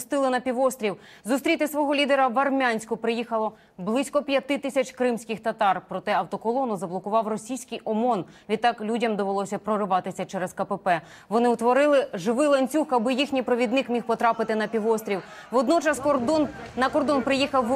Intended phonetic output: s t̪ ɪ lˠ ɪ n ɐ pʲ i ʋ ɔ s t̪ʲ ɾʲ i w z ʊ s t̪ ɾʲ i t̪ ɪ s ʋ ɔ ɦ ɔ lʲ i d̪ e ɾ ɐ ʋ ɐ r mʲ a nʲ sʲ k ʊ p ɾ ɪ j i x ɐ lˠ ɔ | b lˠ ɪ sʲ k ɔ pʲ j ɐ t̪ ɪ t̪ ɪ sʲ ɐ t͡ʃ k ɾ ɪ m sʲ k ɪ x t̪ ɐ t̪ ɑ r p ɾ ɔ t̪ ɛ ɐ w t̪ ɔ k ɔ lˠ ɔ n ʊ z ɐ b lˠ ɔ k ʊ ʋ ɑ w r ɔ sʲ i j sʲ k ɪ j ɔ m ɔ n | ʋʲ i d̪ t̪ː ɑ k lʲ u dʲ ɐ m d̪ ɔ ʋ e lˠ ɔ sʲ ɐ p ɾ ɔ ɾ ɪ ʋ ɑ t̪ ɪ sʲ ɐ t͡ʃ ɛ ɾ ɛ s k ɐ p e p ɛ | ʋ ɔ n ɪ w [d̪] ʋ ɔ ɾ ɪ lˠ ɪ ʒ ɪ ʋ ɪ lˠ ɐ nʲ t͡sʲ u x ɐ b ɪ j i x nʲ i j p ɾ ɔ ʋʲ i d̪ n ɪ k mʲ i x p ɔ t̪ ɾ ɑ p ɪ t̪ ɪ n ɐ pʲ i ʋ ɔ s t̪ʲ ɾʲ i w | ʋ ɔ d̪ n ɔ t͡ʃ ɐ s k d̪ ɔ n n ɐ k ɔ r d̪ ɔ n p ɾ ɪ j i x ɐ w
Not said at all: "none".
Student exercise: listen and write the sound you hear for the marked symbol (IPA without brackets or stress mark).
t̪